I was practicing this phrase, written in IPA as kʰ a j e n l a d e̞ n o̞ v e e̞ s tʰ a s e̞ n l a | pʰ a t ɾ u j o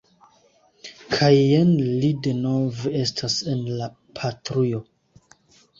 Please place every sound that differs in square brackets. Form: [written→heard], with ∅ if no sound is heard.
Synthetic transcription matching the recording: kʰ a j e n l [a→i] d e̞ n o̞ v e e̞ s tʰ a s e̞ n l a | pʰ a t ɾ u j o